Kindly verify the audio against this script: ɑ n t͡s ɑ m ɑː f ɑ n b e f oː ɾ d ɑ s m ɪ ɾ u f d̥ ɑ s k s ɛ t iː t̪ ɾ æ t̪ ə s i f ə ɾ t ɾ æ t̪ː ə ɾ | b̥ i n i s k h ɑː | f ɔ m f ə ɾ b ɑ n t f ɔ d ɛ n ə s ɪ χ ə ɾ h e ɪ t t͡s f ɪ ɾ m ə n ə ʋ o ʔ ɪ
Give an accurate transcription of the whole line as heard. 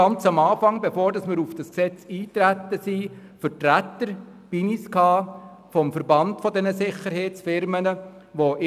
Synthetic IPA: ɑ n t͡s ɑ m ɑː f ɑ ŋ b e f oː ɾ d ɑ s m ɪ ɾ u f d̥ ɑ s k s ɛ t͡s iː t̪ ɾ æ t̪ ə s i f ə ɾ t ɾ æ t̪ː ə ɾ | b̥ i n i s k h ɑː | f ɔ m f ə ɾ b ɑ n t f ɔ d ɛ n ə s ɪ χ ə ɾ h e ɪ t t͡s f ɪ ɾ m ə n ə ʋ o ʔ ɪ